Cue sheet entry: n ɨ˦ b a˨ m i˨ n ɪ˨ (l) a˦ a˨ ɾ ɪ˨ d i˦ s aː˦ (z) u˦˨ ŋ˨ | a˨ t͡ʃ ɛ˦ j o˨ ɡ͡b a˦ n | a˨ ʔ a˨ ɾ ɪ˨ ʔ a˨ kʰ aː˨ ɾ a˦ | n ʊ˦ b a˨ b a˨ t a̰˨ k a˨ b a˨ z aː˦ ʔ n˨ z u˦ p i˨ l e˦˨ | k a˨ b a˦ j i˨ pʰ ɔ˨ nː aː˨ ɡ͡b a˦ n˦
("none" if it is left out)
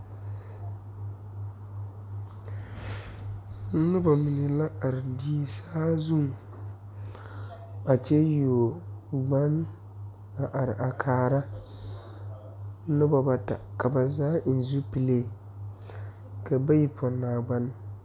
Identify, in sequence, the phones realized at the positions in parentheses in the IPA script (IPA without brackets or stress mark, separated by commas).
l, z